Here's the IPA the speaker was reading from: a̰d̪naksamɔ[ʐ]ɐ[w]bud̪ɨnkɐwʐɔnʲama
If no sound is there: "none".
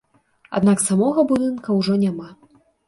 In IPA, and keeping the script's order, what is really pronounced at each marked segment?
ɣ, none

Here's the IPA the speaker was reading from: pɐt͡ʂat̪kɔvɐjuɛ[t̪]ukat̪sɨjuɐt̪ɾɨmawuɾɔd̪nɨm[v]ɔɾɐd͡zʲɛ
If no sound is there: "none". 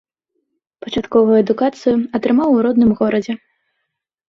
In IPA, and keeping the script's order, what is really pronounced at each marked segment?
d̪, ɣ

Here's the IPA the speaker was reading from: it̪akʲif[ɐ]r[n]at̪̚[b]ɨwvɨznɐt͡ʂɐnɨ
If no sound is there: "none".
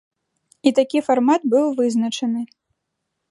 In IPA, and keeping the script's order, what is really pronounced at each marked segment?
a, m, b

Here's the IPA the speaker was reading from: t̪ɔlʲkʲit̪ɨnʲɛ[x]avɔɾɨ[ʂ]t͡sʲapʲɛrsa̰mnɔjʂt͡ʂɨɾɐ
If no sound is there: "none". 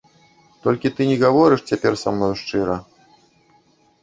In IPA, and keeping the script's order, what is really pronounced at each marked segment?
ɣ, ʂ

